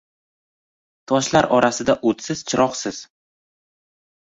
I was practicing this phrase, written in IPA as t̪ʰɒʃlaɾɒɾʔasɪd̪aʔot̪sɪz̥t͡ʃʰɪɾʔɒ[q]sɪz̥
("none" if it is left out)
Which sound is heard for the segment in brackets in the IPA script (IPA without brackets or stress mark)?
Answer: q